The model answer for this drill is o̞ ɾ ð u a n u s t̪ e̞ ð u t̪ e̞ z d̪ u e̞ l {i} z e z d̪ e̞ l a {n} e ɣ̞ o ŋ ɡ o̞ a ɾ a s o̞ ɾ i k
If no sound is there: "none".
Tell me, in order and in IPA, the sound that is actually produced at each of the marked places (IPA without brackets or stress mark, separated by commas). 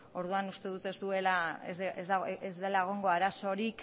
a, none